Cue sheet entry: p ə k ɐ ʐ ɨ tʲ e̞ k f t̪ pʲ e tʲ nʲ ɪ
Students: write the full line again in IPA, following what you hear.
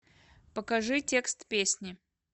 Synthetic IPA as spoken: p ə k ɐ ʐ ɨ tʲ e̞ k s t̪ pʲ e sʲ nʲ ɪ